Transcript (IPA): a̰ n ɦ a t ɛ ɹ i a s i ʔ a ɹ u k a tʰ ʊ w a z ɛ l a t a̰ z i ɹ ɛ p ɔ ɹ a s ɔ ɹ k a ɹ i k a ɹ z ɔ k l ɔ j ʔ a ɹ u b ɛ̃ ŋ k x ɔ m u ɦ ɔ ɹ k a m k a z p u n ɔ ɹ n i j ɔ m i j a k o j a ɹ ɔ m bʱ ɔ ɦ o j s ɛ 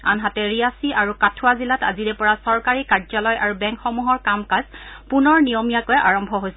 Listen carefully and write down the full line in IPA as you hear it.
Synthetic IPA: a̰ n ɦ a t ɛ ɹ i a s i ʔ a ɹ u k a tʰ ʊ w a z i l a t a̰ z i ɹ ɛ p ɔ ɹ a s ɔ ɹ k a ɹ i k a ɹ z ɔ l ɔ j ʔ a ɹ u b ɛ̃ ŋ k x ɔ m u ɦ ɔ ɹ k a m k a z p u n ɔ ɹ n i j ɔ m i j a k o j a ɹ ɔ m bʱ ɔ ɦ o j s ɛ